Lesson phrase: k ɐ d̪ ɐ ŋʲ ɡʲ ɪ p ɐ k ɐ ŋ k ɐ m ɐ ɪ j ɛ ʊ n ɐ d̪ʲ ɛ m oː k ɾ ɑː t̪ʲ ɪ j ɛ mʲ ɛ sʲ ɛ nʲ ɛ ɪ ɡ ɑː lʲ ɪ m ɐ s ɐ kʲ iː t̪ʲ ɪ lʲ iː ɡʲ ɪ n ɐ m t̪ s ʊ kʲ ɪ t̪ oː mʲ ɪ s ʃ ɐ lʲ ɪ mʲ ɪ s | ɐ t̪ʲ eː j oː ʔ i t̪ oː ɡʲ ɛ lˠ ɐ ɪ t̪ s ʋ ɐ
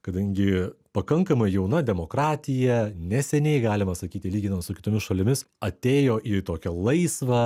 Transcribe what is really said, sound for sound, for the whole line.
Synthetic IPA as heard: k ɐ d̪ ɐ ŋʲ ɡʲ ɪ p ɐ k ɐ ŋ k ɐ m ɐ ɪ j ɛ ʊ n ɐ d̪ʲ ɛ m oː k ɾ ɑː t̪ʲ ɪ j ɛ nʲ ɛ sʲ ɛ nʲ ɛ ɪ ɡ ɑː lʲ ɪ m ɐ s ɐ kʲ iː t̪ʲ ɪ lʲ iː ɡʲ ɪ n ɐ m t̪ s ʊ kʲ ɪ t̪ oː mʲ ɪ s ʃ ɐ lʲ ɪ mʲ ɪ s | ɐ t̪ʲ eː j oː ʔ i t̪ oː kʲ ɛ lˠ ɐ ɪ s ʋ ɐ

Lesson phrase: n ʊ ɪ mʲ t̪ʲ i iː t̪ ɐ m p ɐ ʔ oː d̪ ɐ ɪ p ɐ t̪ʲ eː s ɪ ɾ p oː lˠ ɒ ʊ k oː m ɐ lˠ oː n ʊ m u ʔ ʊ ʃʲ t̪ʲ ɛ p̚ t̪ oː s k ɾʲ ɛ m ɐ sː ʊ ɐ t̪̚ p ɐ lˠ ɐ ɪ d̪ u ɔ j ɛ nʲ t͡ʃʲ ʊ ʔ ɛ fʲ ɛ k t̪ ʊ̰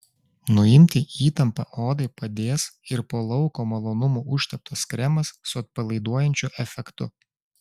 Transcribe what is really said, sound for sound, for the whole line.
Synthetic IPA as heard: n ʊ ɪ mʲ t̪ʲ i iː t̪ ɐ m p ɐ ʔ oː d̪ ɐ ɪ p ɐ d̪ʲ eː s ɪ ɾ p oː lˠ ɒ ʊ k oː m ɐ lˠ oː n ʊ m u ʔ ʊ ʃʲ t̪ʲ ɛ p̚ t̪ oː s k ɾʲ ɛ m ɐ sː ʊ ɐ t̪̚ p ɐ lˠ ɐ ɪ d̪ u ɔ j ɛ nʲ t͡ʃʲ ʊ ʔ ɛ fʲ ɛ k t̪ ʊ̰

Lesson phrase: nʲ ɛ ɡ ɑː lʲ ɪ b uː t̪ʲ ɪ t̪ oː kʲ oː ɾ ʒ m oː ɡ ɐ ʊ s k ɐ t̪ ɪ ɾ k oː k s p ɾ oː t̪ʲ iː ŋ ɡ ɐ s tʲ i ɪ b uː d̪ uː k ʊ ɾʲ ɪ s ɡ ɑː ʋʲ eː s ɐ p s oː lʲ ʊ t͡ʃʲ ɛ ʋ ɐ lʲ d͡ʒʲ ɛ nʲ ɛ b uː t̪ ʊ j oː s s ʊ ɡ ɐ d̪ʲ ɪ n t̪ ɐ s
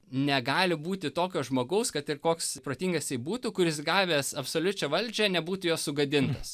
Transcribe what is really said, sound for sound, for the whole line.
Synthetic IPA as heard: nʲ ɛ ɡ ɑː lʲ ɪ b uː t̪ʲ ɪ t̪ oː kʲ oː ʒ m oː ɡ ɐ ʊ s k ɐ t̪ ɪ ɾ k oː k s p ɾ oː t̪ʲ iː ŋ ɡ ɐ s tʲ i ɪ b uː t̪ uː k ʊ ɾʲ ɪ s ɡ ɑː ʋʲ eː s ɐ p s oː lʲ ʊ t͡ʃʲ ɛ ʋ ɐ lʲ d͡ʒʲ ɛ nʲ ɛ b uː t̪ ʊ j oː s s ʊ ɡ ɐ d̪ʲ ɪ n t̪ ɐ s

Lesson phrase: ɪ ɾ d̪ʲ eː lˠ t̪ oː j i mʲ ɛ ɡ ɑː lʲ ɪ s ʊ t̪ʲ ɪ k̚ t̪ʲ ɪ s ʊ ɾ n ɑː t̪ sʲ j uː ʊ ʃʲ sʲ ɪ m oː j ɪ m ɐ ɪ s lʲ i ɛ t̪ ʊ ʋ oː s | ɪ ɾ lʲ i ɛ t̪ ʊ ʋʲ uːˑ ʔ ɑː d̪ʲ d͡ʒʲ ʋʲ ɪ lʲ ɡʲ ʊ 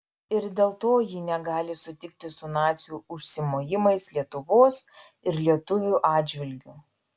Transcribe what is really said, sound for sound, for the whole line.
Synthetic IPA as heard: ɪ ɾ d̪ʲ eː lˠ t̪ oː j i nʲ ɛ ɡ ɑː lʲ ɪ s ʊ t̪ʲ ɪ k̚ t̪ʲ ɪ s ʊ n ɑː t̪ sʲ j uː ʊ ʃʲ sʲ ɪ m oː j ɪ m ɐ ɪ s lʲ i ɛ t̪ ʊ ʋ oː s | ɪ ɾ lʲ i ɛ t̪ ʊ ʋʲ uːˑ ʔ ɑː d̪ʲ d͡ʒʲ ʋʲ ɪ lʲ ɡʲ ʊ

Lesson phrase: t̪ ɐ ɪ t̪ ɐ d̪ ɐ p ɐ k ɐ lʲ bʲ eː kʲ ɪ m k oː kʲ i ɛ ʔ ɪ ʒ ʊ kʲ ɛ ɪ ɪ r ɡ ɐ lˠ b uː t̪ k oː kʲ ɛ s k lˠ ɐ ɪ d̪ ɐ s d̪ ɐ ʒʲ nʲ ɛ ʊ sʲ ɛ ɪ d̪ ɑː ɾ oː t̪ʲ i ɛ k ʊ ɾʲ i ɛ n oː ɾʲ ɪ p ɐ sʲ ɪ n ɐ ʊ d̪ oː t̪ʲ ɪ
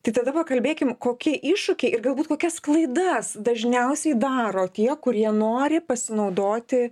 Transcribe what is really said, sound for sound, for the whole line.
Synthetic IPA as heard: t̪ ɐ ɪ t̪ ɐ d̪ ɐ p ɐ k ɐ lʲ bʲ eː kʲ ɪ m k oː kʲ i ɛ ʔ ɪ ʃ ʊ kʲ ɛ ɪ ɪ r ɡ ɐ lˠ b uː t̪ k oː kʲ ɛ s k lˠ ɐ ɪ d̪ ɐ s d̪ ɐ ʒʲ nʲ ɛ ʊ sʲ ɛ ɪ d̪ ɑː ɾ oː t̪ʲ i ɛ k ʊ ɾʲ i ɛ n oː ɾʲ ɪ p ɐ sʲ ɪ n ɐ ʊ d̪ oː t̪ʲ ɪ

